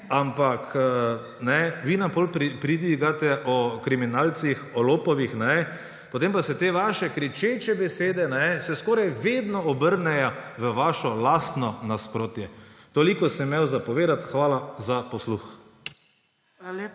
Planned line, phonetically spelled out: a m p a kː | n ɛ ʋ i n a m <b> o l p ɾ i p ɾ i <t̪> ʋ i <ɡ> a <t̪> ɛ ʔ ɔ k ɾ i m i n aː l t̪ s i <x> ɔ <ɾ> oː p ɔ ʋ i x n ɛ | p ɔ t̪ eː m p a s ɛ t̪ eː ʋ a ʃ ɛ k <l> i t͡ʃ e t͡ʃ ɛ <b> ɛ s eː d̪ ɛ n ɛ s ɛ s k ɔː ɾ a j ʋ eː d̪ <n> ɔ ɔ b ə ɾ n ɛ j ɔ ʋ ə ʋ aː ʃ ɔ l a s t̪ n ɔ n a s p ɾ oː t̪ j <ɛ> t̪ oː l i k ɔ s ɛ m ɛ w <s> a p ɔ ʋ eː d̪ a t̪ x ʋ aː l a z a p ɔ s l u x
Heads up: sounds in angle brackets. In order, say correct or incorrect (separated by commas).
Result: incorrect, incorrect, correct, correct, correct, incorrect, incorrect, correct, correct, correct, incorrect